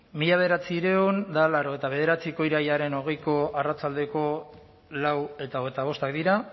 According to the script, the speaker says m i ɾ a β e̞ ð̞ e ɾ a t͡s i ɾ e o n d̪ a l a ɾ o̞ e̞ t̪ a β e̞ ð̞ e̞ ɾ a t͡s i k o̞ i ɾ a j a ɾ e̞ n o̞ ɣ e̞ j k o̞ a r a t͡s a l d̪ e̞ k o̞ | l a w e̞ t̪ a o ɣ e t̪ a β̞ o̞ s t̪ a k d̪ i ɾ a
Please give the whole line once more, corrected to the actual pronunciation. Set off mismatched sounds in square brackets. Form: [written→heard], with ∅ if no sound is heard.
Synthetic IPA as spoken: m i [ɾ→ʎ] a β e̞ ð̞ e ɾ a t͡s i ɾ e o n d̪ a l a ɾ o̞ e̞ t̪ a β e̞ ð̞ e̞ ɾ a t͡s i k o̞ i ɾ a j a ɾ e̞ n o̞ ɣ e̞ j k o̞ a r a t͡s a l d̪ e̞ k o̞ | l a w e̞ t̪ a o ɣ e t̪ a β̞ o̞ s t̪ a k d̪ i ɾ a

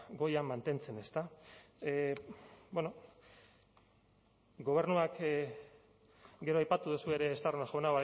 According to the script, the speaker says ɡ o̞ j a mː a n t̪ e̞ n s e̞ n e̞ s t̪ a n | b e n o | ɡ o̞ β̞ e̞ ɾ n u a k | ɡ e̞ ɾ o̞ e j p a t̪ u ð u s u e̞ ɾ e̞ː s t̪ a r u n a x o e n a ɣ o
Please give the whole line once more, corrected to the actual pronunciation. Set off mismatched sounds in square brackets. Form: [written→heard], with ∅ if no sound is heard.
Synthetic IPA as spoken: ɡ o̞ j a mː a n t̪ e̞ n [s→t͡s] e̞ n e̞ s t̪ a [n→∅] | b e n o | ɡ o̞ β̞ e̞ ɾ n u a k | ɡ e̞ ɾ o̞ [e→a] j p a t̪ u ð u s u e̞ ɾ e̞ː s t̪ a r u n a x o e n a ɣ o

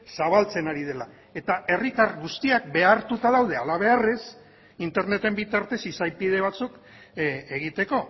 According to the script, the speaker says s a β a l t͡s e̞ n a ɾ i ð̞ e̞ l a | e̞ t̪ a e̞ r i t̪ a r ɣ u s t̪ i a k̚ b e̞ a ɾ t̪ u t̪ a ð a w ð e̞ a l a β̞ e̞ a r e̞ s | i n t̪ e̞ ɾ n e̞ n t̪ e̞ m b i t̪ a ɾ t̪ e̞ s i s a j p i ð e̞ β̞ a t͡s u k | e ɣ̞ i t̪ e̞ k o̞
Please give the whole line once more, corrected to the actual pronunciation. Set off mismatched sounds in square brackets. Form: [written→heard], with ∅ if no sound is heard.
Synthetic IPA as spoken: s a β a l t͡s e̞ n a ɾ i ð̞ e̞ l a | e̞ t̪ a e̞ r i t̪ a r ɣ u s t̪ i a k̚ b e̞ a ɾ t̪ u t̪ a ð a w ð e̞ a l a β̞ e̞ a r e̞ s | i n t̪ e̞ ɾ n e̞ [n→∅] t̪ e̞ m b i t̪ a ɾ t̪ e̞ s i s a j p i ð e̞ β̞ a t͡s u k | e ɣ̞ i t̪ e̞ k o̞

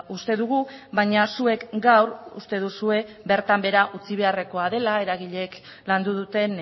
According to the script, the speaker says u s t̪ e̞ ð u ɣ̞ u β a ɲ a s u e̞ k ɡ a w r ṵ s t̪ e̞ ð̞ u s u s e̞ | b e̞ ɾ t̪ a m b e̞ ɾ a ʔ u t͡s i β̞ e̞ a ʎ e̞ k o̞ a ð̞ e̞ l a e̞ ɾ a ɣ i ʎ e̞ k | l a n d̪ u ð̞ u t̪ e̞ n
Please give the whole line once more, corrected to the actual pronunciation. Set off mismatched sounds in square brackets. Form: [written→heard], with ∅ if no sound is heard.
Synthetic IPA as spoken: u s t̪ e̞ ð u ɣ̞ u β a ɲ a s u e̞ k ɡ a w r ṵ s t̪ e̞ ð̞ u s u [s→∅] e̞ | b e̞ ɾ t̪ a m b e̞ ɾ a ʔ u t͡s i β̞ e̞ a [ʎ→r] e̞ k o̞ a ð̞ e̞ l a e̞ ɾ a ɣ i ʎ e̞ k | l a n d̪ u ð̞ u t̪ e̞ n

